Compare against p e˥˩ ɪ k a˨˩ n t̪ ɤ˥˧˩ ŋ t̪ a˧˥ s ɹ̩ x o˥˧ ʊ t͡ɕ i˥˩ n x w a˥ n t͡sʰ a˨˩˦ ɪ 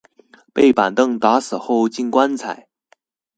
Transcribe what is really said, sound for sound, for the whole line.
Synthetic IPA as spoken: p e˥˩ ɪ p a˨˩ n t̪ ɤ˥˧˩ ŋ t̪ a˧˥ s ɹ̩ x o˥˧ ʊ t͡ɕ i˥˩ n k w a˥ n t͡sʰ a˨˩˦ ɪ